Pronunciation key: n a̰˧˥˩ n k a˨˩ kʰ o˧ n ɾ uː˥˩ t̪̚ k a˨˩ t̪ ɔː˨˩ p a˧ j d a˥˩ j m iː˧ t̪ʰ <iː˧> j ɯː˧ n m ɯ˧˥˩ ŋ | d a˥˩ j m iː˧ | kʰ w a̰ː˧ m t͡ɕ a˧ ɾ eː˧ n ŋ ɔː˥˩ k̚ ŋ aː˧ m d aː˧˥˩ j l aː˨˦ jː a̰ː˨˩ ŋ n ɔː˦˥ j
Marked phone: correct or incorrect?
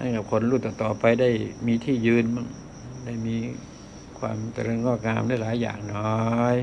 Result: incorrect: iː˥˩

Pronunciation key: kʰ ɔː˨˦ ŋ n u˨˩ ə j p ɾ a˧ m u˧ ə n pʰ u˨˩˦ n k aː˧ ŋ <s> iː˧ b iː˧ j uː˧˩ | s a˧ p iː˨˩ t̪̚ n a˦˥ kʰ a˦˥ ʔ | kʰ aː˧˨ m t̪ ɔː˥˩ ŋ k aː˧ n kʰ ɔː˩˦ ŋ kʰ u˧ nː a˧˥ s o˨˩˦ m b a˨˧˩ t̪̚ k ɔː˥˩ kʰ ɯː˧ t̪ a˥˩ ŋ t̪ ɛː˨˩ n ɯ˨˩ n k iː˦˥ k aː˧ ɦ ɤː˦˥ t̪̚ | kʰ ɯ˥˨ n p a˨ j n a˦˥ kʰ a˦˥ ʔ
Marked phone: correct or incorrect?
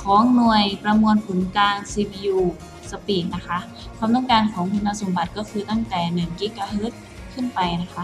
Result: correct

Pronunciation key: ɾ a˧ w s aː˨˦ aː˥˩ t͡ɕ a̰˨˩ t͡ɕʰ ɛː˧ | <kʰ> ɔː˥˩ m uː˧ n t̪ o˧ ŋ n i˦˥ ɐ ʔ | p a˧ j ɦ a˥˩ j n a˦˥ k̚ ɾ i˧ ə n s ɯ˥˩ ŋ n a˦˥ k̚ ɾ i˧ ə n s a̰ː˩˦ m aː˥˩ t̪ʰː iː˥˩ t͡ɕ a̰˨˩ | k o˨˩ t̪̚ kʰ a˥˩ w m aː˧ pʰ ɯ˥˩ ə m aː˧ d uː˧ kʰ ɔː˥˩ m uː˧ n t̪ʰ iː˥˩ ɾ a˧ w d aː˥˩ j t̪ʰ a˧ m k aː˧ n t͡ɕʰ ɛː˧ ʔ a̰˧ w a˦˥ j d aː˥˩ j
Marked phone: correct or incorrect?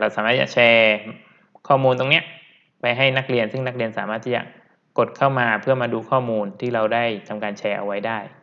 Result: correct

